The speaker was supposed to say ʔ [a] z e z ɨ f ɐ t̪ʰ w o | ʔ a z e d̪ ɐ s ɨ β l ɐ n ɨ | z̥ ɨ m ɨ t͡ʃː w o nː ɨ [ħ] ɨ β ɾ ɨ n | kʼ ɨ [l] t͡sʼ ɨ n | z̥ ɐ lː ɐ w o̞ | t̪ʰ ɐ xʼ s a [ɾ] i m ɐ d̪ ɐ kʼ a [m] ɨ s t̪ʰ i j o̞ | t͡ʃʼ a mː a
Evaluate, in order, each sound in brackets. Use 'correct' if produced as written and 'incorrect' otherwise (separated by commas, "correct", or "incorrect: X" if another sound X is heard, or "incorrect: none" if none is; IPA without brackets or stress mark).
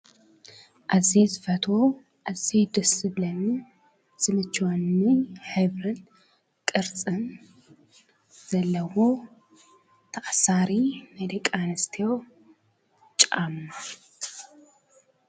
correct, correct, incorrect: ɾ, correct, incorrect: n